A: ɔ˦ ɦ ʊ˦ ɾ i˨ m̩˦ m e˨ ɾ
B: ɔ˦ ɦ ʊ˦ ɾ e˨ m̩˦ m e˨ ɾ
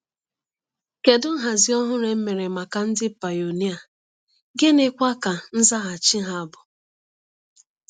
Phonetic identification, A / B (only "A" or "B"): B